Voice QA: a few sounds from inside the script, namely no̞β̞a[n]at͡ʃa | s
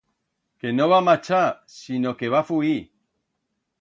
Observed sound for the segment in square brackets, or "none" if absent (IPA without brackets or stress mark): m